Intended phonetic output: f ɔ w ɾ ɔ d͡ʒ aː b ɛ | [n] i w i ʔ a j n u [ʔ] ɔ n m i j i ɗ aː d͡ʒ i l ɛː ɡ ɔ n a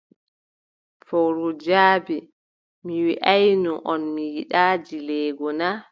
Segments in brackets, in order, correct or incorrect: incorrect: m, correct

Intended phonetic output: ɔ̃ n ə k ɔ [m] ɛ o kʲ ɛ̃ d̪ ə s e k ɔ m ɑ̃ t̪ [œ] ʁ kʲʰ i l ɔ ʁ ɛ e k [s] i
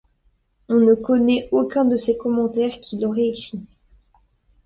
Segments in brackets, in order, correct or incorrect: incorrect: n, incorrect: ɛ, incorrect: χ

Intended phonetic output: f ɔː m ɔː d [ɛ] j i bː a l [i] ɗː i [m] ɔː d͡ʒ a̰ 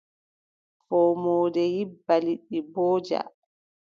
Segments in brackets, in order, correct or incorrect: correct, correct, incorrect: b

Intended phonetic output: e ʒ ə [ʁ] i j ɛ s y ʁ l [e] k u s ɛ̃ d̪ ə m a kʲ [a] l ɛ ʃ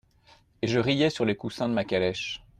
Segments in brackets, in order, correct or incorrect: correct, correct, correct

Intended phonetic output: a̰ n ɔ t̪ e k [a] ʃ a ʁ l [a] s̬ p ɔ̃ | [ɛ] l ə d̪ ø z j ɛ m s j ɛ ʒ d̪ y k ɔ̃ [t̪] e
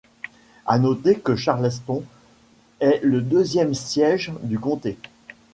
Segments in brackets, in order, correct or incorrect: incorrect: ə, incorrect: ɛ, correct, correct

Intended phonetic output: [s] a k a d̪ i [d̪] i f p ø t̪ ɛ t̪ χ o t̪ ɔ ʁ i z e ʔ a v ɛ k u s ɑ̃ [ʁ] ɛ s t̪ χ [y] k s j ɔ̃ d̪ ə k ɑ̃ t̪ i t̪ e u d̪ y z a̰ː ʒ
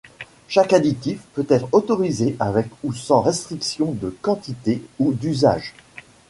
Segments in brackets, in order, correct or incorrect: incorrect: ʃ, incorrect: t̪, correct, incorrect: i

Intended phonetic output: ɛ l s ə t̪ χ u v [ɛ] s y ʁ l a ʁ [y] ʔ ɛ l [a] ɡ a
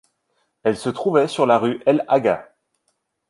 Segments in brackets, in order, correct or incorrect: correct, correct, correct

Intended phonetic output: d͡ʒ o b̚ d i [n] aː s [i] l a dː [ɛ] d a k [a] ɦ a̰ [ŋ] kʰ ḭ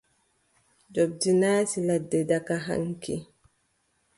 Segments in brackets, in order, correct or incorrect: correct, correct, correct, correct, correct

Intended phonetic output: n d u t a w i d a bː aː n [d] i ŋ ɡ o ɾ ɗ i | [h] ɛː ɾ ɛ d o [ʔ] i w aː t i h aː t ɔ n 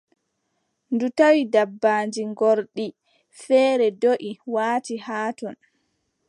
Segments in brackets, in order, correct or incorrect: incorrect: d͡ʒ, incorrect: f, correct

